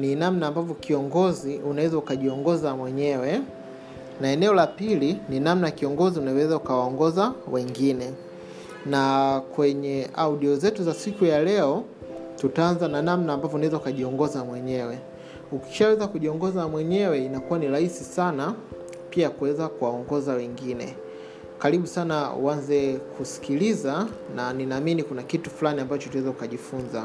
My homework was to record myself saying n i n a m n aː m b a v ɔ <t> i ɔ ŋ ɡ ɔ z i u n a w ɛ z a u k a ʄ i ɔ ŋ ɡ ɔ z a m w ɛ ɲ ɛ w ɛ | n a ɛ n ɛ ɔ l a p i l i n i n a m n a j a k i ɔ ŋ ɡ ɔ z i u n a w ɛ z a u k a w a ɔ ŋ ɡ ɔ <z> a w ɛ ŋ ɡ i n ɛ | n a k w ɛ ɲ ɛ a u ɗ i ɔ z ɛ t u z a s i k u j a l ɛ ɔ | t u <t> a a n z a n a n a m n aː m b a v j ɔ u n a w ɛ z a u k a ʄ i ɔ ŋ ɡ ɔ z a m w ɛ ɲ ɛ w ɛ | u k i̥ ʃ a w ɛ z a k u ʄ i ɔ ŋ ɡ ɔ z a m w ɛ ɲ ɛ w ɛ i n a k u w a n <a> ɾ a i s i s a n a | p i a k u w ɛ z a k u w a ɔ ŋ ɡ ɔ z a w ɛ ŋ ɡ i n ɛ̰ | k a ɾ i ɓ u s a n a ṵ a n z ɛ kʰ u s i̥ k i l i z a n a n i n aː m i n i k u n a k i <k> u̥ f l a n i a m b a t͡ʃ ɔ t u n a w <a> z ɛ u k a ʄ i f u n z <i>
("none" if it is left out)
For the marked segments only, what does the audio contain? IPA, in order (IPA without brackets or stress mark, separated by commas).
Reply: k, z, t, i, t, ɛ, a